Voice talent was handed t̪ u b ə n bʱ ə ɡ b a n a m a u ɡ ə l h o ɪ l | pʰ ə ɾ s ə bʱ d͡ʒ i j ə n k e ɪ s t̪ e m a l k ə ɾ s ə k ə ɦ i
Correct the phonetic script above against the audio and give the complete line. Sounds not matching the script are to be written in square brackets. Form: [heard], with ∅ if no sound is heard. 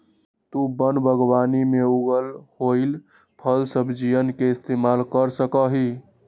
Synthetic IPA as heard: t̪ u b ə n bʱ ə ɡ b a n [i] m [e] u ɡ ə l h o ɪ l | pʰ ə [l] s ə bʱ d͡ʒ i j ə n k e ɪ s t̪ e m a l k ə ɾ s ə k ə ɦ i